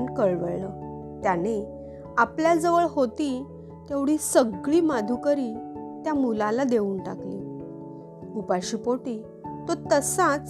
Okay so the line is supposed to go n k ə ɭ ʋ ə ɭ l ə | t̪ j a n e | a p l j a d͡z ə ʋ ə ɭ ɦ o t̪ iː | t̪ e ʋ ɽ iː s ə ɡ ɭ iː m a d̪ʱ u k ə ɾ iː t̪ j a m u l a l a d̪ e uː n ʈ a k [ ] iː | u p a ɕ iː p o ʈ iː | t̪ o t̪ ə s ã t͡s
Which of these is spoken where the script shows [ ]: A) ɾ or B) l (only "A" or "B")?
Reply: B